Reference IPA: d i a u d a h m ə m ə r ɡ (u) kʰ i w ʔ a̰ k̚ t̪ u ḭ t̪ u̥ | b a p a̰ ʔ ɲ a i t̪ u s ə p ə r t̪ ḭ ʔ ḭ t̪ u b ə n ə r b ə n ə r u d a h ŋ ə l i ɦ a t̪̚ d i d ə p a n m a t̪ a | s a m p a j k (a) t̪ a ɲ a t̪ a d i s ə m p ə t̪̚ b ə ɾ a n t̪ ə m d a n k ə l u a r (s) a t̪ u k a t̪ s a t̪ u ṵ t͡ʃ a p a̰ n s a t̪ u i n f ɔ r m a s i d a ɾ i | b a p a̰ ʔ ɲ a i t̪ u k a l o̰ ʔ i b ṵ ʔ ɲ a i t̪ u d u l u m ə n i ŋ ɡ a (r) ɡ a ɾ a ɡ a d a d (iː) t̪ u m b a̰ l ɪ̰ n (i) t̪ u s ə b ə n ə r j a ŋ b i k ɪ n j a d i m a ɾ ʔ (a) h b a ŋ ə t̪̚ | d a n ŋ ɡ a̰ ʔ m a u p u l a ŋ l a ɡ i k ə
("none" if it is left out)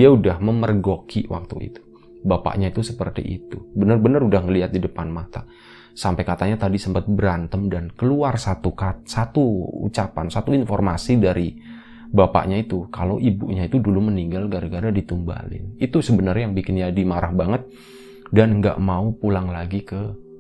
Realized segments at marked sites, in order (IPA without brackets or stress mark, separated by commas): o, a, s, l, i, i, a